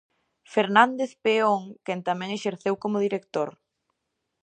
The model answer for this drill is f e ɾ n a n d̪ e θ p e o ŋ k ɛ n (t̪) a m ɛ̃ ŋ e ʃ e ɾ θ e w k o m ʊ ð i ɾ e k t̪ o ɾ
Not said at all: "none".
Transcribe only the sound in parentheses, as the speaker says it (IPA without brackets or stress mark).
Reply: t̪